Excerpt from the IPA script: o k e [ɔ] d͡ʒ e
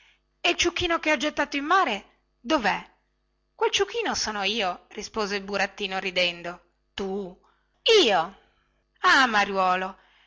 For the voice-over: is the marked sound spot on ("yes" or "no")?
yes